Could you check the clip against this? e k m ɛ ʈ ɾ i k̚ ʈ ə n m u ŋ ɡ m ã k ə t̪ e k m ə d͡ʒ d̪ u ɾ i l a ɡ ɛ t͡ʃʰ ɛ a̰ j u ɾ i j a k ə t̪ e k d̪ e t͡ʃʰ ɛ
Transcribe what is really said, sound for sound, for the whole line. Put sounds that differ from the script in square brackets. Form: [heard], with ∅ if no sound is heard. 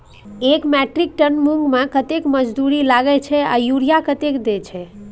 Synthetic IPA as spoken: e k m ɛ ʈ ɾ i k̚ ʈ ə n m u ŋ ɡ m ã k ə t̪ e k m ə d͡ʒ d̪ u ɾ i l a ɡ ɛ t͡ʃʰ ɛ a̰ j u ɾ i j a k ə t̪ e k d̪ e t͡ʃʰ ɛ